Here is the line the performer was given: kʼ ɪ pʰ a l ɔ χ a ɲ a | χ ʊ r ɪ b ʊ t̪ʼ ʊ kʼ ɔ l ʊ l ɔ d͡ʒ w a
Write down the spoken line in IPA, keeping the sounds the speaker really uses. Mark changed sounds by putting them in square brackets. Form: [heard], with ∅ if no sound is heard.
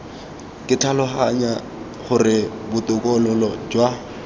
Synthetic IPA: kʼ ɪ [tʰ] a l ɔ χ a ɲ a | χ ʊ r ɪ b ʊ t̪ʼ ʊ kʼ ɔ l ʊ l ɔ d͡ʒ w a